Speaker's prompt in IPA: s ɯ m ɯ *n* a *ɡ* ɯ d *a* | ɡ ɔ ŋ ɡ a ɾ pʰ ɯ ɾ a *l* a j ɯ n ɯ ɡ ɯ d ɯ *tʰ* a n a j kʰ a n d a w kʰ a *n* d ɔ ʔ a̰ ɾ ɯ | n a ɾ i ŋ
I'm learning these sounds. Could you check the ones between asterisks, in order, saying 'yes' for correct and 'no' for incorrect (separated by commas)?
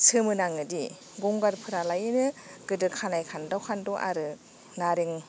yes, no, no, yes, no, yes